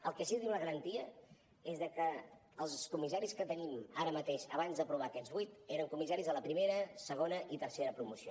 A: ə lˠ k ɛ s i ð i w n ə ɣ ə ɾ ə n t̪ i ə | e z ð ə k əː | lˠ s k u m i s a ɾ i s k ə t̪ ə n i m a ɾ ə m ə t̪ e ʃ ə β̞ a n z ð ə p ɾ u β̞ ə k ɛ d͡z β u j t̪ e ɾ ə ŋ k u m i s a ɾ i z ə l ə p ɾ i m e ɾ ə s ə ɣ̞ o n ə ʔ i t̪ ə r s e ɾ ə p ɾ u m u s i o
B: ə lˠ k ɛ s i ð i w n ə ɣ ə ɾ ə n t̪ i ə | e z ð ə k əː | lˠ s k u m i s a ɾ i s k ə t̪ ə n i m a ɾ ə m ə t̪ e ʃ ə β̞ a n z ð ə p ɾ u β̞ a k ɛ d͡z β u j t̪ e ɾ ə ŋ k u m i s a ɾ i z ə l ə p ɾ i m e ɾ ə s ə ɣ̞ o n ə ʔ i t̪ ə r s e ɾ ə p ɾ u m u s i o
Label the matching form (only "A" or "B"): B